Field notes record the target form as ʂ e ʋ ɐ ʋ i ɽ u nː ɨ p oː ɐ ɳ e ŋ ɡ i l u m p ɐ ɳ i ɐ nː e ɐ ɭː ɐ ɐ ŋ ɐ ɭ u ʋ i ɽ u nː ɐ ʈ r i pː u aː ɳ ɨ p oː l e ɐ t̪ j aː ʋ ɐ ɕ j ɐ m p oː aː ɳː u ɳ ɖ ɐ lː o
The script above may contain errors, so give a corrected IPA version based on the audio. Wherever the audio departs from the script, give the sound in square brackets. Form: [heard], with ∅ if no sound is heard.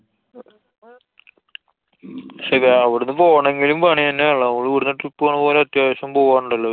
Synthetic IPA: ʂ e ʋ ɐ ʋ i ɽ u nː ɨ p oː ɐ ɳ e ŋ ɡ i l u m p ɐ ɳ i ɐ nː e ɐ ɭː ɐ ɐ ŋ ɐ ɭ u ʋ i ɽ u nː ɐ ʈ r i pː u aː ɳ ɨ p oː l e ɐ t̪ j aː ʋ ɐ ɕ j ɐ m p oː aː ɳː u ɳ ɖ ɐ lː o